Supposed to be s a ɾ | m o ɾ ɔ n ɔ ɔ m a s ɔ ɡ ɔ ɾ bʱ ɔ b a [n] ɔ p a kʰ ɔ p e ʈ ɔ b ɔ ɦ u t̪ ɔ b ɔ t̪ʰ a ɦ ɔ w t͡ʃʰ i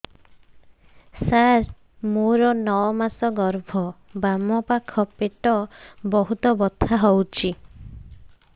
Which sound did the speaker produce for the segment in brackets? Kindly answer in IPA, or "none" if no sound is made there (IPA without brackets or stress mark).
m